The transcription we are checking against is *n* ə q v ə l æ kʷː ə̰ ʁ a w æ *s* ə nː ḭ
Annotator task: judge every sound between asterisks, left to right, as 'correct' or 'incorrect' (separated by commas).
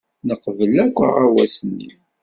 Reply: correct, correct